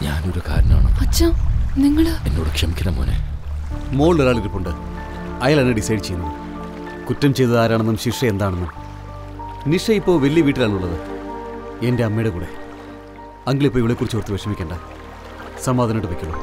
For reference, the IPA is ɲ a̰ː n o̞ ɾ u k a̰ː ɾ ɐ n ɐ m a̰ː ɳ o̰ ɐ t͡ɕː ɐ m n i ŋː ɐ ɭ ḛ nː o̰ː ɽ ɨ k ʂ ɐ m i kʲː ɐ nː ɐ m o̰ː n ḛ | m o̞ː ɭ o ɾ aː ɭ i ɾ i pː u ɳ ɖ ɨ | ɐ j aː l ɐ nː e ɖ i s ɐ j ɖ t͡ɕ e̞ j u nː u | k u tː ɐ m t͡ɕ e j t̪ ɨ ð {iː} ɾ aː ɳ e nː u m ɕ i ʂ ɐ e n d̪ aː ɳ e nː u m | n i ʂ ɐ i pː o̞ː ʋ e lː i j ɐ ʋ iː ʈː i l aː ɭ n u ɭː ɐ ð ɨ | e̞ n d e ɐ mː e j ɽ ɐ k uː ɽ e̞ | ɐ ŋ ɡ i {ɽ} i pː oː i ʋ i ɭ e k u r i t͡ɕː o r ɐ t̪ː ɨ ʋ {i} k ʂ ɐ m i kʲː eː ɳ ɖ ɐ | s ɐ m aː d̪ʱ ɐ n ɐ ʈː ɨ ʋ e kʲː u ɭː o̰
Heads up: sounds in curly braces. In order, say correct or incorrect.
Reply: incorrect, incorrect, incorrect

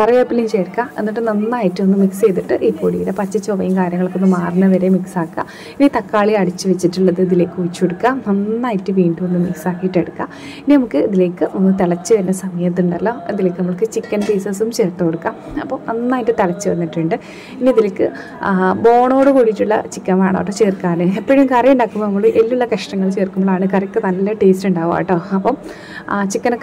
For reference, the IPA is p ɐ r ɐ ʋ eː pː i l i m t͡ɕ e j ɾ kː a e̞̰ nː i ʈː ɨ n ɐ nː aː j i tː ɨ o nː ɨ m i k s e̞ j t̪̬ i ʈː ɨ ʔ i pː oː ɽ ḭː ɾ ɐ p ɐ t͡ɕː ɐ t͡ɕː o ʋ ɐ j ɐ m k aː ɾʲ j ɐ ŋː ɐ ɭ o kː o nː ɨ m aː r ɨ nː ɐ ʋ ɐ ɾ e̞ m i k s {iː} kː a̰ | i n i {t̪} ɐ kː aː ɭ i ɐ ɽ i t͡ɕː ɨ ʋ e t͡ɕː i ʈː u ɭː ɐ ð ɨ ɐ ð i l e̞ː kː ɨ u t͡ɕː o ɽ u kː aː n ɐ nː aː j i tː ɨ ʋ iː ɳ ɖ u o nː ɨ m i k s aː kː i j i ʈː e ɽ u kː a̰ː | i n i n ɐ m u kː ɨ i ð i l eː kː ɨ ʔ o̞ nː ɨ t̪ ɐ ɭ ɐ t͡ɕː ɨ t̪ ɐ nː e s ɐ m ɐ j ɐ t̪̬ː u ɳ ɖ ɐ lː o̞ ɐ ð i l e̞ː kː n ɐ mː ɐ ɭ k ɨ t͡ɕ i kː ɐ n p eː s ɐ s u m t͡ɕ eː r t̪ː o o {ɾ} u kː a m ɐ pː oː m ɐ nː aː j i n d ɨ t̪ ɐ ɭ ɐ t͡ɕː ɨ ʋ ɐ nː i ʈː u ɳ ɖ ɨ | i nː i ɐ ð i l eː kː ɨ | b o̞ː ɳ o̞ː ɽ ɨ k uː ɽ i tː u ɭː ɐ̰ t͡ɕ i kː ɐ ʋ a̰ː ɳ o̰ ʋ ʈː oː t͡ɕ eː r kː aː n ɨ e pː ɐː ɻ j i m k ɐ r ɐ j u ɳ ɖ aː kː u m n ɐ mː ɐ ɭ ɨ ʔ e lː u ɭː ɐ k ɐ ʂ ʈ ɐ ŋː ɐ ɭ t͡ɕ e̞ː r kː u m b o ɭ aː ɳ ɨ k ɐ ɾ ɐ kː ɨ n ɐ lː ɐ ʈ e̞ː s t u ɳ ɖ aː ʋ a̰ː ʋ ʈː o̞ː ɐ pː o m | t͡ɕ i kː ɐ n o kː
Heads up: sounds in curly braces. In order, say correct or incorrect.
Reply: incorrect, correct, incorrect

